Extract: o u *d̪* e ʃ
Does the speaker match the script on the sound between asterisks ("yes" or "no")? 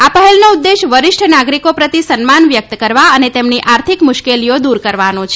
no